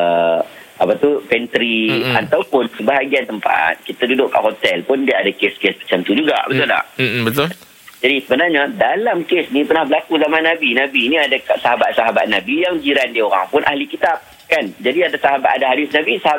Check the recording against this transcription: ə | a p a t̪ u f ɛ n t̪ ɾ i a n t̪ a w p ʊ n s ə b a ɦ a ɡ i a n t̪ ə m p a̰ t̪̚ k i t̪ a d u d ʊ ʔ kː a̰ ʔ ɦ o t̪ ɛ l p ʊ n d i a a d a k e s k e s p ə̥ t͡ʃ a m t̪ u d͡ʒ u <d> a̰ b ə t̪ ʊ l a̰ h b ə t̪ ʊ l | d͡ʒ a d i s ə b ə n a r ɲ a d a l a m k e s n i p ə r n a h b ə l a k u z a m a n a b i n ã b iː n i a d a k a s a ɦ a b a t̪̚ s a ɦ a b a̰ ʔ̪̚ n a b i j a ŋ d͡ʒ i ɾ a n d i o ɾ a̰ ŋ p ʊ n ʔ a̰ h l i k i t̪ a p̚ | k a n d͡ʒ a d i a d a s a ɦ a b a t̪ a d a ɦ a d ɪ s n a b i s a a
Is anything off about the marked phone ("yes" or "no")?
yes